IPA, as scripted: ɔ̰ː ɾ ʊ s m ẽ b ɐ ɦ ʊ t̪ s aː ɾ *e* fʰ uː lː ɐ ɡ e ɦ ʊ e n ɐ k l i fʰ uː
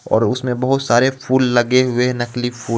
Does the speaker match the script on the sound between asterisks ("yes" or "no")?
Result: yes